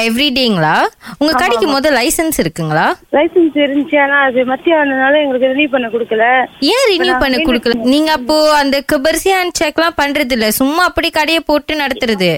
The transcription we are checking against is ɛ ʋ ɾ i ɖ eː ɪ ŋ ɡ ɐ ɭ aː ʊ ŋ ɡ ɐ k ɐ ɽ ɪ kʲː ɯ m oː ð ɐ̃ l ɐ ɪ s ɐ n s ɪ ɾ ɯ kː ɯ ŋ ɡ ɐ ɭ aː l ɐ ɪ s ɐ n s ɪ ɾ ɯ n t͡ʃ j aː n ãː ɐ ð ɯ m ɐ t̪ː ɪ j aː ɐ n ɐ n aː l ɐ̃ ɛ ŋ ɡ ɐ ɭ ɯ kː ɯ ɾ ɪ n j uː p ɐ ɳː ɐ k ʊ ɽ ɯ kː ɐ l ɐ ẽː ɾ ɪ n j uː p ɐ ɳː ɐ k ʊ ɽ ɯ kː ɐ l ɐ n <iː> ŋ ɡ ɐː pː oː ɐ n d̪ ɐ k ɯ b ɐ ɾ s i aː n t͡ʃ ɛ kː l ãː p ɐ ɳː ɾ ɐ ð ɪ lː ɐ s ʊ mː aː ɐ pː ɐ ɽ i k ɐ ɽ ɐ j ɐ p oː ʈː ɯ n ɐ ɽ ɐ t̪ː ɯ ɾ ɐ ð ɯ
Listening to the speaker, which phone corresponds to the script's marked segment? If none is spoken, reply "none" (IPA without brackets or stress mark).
iː